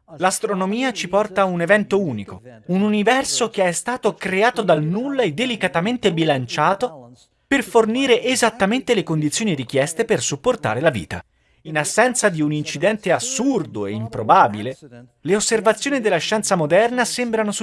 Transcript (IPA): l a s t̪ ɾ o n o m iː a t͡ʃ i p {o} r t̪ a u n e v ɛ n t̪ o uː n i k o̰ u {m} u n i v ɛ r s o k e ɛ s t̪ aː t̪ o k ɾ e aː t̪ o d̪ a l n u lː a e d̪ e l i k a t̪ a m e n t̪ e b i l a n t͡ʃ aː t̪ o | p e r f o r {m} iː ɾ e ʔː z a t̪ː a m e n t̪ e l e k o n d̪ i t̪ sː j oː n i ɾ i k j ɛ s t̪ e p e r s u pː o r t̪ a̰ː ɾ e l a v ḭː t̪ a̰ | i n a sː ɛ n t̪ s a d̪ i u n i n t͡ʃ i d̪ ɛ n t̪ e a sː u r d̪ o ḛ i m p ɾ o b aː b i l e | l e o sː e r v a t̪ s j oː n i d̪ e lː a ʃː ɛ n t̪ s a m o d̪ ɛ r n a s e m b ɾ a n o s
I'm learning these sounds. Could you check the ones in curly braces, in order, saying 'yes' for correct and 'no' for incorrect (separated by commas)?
no, no, no